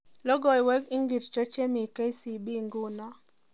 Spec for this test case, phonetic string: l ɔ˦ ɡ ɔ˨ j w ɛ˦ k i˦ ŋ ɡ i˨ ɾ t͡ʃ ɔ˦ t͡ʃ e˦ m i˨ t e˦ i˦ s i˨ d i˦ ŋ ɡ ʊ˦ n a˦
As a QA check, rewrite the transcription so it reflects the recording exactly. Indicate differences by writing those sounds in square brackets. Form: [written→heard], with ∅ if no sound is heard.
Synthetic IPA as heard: l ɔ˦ ɡ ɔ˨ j w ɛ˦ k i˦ ŋ ɡ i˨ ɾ t͡ʃ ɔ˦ t͡ʃ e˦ m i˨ [t→k] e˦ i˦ s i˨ [d→b] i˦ ŋ ɡ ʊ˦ n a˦